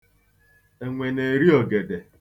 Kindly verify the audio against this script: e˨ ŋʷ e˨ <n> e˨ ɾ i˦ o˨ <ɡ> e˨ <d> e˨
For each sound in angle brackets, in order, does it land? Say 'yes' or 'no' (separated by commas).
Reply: yes, yes, yes